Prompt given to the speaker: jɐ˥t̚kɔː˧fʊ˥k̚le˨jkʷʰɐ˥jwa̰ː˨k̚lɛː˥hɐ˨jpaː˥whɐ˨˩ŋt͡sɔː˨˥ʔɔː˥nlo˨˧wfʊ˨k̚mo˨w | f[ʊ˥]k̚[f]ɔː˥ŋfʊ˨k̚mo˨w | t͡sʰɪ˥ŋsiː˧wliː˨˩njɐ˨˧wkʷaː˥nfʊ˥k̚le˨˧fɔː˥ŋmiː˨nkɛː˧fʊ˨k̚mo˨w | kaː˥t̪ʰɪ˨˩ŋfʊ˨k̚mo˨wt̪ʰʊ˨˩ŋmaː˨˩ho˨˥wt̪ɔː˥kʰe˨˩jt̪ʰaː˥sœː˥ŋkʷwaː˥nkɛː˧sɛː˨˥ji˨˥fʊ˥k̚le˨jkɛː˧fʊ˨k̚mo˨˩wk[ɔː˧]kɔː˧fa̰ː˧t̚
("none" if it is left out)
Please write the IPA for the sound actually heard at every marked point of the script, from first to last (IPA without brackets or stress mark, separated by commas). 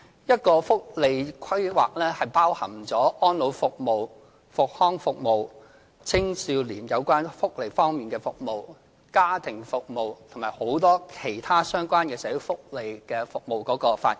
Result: ʊ˨, h, ɔː˨˥